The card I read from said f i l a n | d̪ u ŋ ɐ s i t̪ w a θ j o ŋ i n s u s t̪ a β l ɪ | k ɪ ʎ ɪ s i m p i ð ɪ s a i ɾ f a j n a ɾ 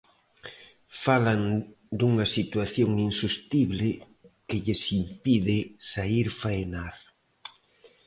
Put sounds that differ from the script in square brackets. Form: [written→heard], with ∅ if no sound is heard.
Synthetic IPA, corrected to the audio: f [i→a] l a n | d̪ u ŋ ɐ s i t̪ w a θ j o ŋ i n s u s t̪ [a→i] β l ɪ | k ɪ ʎ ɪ s i m p i ð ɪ s a i ɾ f a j n a ɾ

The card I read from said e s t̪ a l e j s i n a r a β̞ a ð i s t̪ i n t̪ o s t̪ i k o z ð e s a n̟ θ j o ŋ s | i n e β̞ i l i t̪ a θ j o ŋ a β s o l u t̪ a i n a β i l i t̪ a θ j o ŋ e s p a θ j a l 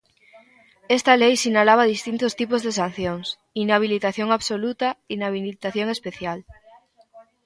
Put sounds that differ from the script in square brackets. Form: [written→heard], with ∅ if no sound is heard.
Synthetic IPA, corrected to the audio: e s t̪ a l e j s i n a [r→l] a β̞ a ð i s t̪ i n t̪ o s t̪ i [k→p] o z ð e s a n̟ θ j o ŋ s | i n [e→a] β̞ i l i t̪ a θ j o ŋ a β s o l u t̪ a i n a β i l i t̪ a θ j o ŋ e s p [a→e] θ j a l

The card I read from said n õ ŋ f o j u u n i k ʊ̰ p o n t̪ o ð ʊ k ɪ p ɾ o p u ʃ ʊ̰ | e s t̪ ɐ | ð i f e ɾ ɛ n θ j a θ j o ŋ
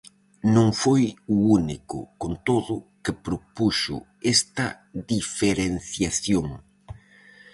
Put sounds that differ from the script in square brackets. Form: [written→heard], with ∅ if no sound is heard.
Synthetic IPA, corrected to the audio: n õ ŋ f o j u u n i k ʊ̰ [p→k] o n t̪ o ð ʊ k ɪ p ɾ o p u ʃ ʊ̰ | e s t̪ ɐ | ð i f e ɾ [ɛ→e] n θ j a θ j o ŋ

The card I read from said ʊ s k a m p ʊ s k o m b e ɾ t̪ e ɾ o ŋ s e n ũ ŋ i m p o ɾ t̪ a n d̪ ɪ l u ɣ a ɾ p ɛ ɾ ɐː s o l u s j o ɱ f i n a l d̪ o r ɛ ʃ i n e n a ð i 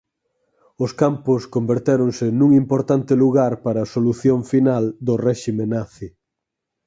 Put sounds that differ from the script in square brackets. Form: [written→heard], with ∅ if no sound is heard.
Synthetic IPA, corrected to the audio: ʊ s k a m p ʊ s k o m b e ɾ t̪ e ɾ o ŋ s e n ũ ŋ i m p o ɾ t̪ a n [d̪→t̪] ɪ l u ɣ a ɾ p [ɛ→a] ɾ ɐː s o l u [s→θ] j o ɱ f i n a l d̪ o r ɛ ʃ i [n→m] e n a [ð→θ] i

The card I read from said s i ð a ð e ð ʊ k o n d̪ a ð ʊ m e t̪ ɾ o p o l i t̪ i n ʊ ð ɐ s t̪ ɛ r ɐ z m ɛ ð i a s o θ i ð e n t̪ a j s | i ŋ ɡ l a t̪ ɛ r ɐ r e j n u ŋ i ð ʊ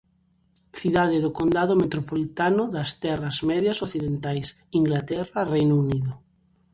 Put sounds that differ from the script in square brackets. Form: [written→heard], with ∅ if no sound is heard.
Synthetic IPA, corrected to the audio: [s→θ] i ð a ð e ð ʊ k o n d̪ a ð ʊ m e t̪ ɾ o p o l i t̪ [i→a] n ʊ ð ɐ s t̪ ɛ r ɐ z m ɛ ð [i→j] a s o θ i ð e n t̪ a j s | i ŋ ɡ l a t̪ ɛ r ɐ r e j n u [ŋ→n] i ð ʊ

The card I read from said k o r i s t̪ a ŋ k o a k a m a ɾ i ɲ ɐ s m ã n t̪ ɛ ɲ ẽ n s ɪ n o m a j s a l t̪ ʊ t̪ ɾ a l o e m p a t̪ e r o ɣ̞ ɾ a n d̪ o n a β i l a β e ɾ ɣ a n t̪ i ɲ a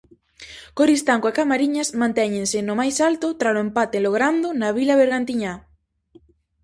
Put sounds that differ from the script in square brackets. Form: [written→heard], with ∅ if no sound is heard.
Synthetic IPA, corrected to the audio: k o [r→ɾ] i s t̪ a ŋ k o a k a m a ɾ i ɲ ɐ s m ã n t̪ ɛ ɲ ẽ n s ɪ n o m a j s a l t̪ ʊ t̪ ɾ a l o e m p a t̪ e [r→l] o ɣ̞ ɾ a n d̪ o n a β i l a β e ɾ ɣ a n t̪ i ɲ a

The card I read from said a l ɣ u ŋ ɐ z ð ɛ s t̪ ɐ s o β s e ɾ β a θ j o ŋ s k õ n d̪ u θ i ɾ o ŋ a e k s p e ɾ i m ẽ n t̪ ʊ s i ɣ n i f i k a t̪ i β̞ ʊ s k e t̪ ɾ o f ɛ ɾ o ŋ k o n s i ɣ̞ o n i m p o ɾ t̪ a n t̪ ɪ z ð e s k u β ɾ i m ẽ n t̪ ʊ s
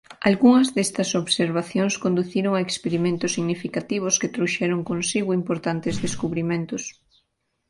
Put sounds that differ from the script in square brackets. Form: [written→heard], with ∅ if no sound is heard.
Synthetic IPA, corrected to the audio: a l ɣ u ŋ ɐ z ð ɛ s t̪ ɐ s o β s e ɾ β a θ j o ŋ s k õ n d̪ u θ i ɾ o ŋ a e k s p e ɾ i m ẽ n t̪ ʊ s i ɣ n i f i k a t̪ i β̞ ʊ s k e t̪ ɾ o [f→ʃ] ɛ ɾ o ŋ k o n s i ɣ̞ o [n→∅] i m p o ɾ t̪ a n t̪ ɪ z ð e s k u β ɾ i m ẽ n t̪ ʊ s

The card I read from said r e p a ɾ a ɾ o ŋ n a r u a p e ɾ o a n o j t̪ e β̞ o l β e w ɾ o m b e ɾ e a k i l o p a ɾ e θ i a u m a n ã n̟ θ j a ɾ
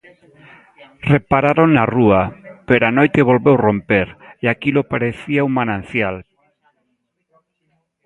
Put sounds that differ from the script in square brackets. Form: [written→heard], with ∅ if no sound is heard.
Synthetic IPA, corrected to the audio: r e p a ɾ a ɾ o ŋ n a r u a p e ɾ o a n o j t̪ e β̞ o l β e w [ɾ→r] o m [b→p] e ɾ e a k i l o p a ɾ e θ i a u m a n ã n̟ θ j a [ɾ→l]

